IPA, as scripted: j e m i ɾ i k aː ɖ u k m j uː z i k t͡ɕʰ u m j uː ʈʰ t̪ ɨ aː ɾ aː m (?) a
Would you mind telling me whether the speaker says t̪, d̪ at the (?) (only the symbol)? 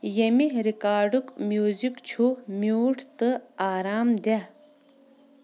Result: d̪